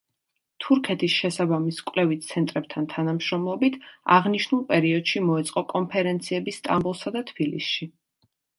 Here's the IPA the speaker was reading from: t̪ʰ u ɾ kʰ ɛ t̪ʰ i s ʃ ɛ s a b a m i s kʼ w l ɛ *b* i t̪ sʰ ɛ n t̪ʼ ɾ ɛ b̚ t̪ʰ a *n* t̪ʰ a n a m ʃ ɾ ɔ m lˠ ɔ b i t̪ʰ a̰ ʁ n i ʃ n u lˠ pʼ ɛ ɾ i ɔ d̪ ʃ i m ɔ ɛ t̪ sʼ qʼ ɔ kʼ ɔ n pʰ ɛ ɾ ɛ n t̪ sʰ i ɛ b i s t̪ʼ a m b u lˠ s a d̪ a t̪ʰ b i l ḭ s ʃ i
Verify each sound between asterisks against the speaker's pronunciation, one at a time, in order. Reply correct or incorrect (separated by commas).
incorrect, correct